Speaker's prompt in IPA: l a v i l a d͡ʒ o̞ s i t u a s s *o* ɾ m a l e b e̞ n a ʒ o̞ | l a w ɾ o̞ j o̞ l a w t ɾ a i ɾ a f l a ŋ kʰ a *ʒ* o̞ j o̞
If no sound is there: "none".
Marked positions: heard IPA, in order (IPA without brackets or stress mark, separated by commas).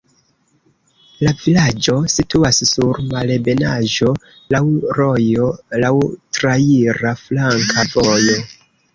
u, v